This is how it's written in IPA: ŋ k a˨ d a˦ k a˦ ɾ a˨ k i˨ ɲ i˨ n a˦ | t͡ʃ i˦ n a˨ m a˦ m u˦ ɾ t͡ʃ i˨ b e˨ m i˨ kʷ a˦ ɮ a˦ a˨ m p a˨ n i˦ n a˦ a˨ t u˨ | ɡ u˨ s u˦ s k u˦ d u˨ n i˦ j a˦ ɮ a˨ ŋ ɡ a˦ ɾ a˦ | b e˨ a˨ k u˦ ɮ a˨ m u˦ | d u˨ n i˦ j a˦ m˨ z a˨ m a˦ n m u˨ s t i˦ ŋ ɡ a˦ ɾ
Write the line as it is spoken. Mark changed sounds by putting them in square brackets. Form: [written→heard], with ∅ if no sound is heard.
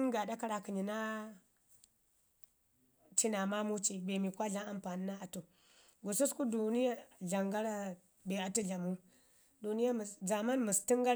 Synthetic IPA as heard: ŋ [k→ɡ] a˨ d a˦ k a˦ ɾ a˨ k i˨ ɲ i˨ n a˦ | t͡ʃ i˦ n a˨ m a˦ m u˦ [ɾ→∅] t͡ʃ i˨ b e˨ m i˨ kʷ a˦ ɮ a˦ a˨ m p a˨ n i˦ n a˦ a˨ t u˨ | ɡ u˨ s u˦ s k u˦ d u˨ n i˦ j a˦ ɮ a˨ ŋ ɡ a˦ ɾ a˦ | b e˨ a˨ [k→t] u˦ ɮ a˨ m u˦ | d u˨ n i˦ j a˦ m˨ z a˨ m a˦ n m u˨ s t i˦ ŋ ɡ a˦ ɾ